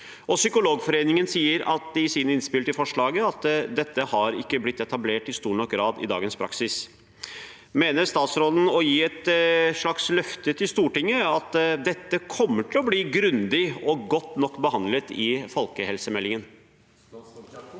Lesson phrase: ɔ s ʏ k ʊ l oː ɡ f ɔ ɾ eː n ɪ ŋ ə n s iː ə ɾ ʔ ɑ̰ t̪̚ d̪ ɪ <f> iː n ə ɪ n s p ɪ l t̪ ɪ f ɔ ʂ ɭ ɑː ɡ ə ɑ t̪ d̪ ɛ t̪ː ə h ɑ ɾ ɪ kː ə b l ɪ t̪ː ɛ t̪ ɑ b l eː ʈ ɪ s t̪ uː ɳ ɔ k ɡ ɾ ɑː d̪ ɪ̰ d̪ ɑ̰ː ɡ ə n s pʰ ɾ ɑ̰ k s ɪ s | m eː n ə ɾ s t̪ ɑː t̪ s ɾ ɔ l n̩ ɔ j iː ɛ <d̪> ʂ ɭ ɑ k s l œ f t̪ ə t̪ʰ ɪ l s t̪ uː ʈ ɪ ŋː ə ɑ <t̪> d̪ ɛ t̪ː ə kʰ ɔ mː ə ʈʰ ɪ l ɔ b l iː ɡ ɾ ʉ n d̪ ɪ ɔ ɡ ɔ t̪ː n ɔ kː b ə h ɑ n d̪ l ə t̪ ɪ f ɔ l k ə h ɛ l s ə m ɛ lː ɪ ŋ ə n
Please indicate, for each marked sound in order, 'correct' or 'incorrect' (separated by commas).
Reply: incorrect, incorrect, correct